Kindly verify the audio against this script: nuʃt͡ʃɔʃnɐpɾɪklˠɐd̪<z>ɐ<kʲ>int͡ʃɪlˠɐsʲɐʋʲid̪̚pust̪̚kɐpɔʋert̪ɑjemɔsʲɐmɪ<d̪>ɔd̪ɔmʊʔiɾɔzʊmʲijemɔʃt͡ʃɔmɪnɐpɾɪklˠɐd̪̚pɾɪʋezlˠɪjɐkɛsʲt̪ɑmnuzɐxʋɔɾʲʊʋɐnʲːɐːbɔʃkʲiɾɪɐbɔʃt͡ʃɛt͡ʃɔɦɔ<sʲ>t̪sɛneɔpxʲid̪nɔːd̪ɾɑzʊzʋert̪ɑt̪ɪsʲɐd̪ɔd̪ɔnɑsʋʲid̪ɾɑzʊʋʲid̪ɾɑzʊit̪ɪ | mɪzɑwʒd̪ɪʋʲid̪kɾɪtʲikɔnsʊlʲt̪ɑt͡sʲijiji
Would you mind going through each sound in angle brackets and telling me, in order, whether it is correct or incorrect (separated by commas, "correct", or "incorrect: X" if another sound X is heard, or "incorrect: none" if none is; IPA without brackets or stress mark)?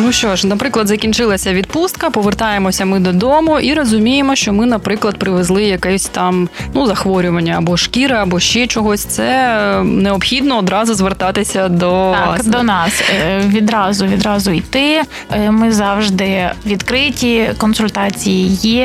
correct, correct, correct, correct